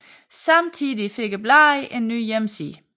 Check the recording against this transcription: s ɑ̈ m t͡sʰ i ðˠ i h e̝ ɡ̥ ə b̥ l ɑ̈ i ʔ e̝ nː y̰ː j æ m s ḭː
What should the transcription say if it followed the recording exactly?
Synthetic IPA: s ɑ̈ m t͡sʰ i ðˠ i f e̝ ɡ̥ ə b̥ l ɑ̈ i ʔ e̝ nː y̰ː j e m s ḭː